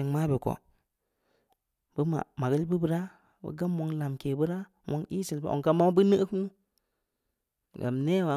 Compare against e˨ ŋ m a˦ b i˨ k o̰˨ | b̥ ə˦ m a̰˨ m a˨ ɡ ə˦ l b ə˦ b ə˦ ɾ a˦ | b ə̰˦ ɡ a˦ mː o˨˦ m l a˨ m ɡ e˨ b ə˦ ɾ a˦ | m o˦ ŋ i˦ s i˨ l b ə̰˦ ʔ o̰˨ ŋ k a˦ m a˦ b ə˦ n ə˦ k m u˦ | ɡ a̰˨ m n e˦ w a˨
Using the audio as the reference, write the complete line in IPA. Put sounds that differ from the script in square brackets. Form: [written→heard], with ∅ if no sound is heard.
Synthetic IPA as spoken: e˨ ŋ m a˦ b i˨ k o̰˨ | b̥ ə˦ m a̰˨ m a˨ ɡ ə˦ l b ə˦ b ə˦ ɾ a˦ | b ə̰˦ ɡ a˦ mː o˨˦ [m→ŋ] l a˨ m [ɡ→k] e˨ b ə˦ ɾ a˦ | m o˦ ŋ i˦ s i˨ l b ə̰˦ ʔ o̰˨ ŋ k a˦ m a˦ b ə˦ n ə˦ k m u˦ | ɡ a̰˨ m n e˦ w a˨